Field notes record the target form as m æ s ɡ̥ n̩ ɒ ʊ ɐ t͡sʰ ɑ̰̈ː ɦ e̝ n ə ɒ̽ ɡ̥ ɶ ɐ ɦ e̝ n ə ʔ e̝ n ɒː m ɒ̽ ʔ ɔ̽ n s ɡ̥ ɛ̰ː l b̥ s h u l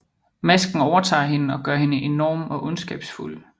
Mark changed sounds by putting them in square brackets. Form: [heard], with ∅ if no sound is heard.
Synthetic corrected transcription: m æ s ɡ̥ n̩ ɒ ʊ ɐ t͡sʰ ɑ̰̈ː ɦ e̝ n ə ɒ̽ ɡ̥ ɶ ɐ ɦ e̝ n ə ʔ e̝ n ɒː m ɒ̽ ʔ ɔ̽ n s ɡ̥ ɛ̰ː [∅] b̥ s [f] u l